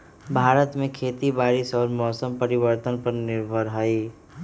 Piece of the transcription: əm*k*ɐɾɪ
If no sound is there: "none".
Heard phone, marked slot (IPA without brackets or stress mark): p